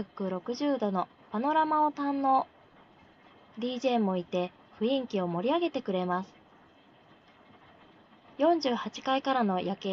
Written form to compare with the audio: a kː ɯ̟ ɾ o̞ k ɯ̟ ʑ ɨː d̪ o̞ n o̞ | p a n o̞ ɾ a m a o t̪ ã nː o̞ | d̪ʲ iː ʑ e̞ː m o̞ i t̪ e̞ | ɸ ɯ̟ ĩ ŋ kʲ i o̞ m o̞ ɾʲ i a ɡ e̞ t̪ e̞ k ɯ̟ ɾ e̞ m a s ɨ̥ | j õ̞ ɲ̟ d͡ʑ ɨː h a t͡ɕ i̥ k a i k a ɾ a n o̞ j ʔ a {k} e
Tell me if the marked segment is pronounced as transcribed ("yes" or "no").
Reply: yes